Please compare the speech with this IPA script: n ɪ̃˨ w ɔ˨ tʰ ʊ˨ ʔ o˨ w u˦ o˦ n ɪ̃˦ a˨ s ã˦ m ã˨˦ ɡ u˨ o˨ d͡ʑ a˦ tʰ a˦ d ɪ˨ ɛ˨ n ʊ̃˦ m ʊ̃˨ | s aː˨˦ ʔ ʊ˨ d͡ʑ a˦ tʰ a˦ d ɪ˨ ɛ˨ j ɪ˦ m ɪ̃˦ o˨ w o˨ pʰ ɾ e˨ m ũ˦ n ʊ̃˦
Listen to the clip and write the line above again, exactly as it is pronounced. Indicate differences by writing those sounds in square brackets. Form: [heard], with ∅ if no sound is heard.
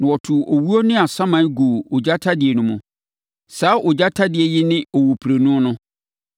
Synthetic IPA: n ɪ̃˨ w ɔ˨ tʰ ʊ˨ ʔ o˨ w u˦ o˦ n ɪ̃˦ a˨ s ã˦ m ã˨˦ ɡ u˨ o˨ d͡ʑ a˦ tʰ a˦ d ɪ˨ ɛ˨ n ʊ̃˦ m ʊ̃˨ | s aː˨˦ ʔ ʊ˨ d͡ʑ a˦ tʰ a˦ d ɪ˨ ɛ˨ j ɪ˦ [n] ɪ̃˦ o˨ w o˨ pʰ ɾ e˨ [n] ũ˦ n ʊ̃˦